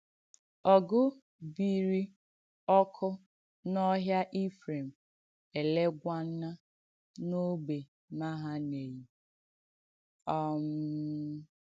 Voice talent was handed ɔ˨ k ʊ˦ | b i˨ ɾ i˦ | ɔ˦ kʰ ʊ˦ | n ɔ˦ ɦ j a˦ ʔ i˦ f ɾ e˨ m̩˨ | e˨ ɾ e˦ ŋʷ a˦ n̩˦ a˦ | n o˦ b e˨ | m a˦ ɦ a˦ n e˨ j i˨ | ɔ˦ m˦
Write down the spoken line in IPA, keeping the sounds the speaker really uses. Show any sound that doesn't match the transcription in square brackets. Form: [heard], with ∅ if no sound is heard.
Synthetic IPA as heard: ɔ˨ [ɡ] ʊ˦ | b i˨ ɾ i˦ | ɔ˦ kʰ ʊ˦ | n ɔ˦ ɦ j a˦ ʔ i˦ f ɾ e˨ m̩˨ | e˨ [l] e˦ [ɡʷ] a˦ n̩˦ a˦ | n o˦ b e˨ | m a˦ ɦ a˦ n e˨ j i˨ | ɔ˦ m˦